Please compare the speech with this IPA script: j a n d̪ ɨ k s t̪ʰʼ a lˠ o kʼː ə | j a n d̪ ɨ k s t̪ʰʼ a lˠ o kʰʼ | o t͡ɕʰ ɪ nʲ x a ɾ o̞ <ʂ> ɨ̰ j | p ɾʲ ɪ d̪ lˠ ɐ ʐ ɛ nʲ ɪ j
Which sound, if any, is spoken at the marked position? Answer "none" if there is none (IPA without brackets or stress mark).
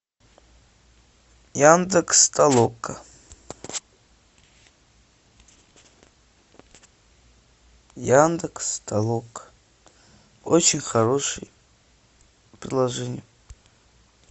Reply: ʂ